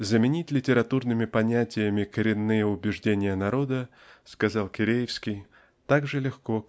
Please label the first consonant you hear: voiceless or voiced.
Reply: voiced